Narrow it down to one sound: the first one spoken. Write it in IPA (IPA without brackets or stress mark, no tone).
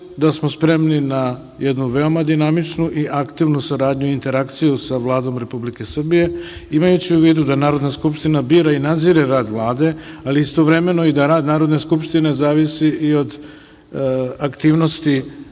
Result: d̪